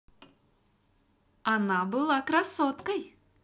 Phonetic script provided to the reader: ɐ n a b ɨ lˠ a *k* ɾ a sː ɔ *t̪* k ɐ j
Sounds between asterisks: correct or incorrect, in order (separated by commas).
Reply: correct, correct